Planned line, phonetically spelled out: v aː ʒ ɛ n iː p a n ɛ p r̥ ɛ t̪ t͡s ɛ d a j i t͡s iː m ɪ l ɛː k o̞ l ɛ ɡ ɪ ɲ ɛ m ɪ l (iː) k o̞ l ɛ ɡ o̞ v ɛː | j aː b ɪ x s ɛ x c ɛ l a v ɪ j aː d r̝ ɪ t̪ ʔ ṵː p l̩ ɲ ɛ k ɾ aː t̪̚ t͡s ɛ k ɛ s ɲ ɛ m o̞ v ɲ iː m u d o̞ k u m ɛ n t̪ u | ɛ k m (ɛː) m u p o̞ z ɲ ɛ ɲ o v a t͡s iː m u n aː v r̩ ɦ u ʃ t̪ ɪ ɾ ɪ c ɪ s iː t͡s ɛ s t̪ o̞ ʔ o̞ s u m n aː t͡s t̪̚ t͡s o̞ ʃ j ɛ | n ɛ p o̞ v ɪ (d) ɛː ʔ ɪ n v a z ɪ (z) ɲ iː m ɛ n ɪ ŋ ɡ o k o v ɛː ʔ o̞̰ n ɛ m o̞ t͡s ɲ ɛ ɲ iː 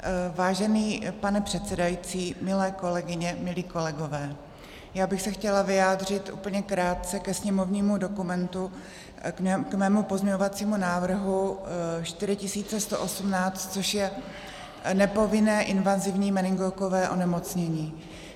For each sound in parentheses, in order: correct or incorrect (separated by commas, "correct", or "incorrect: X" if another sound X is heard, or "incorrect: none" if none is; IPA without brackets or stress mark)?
correct, correct, incorrect: n, incorrect: v